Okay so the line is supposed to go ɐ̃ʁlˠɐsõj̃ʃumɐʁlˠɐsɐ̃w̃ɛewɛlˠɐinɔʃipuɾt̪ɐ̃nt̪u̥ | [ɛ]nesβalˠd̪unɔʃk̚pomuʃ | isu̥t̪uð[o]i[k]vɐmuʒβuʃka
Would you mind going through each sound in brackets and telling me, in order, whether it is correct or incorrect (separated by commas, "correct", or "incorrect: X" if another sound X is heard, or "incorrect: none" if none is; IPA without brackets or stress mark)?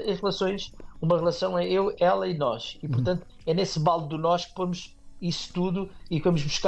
correct, incorrect: u, correct